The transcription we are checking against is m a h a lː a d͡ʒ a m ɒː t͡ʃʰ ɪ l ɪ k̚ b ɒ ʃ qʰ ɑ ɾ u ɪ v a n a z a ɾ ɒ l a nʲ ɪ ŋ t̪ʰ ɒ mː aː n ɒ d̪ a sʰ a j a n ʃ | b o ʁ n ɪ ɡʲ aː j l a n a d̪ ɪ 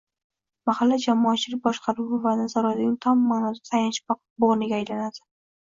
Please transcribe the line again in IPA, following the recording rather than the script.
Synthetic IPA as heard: m a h a lː a d͡ʒ a m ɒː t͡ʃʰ ɪ l ɪ k̚ b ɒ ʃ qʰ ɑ ɾ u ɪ v a n a z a ɾ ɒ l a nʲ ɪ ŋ t̪ʰ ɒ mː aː n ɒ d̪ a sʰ a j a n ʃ | b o ʁ n ɪ ɡʲ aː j l a n a d̪ ɪ